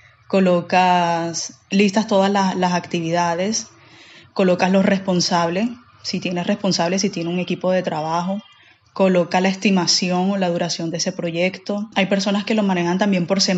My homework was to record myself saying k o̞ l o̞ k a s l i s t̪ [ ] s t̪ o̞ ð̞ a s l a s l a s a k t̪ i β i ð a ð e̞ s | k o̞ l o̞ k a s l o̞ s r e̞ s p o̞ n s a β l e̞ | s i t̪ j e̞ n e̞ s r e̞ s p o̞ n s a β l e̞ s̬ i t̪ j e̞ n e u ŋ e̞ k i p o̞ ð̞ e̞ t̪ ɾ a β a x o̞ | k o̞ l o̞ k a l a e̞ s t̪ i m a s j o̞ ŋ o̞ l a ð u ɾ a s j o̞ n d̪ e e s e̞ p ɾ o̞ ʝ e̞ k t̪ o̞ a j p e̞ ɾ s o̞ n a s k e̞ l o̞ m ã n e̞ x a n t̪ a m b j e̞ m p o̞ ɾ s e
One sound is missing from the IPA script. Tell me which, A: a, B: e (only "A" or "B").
A